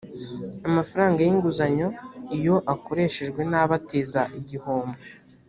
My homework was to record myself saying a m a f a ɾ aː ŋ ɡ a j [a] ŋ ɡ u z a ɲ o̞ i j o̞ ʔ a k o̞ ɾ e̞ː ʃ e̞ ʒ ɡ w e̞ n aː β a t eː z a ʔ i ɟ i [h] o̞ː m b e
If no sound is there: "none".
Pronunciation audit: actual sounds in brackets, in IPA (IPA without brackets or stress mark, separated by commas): i, h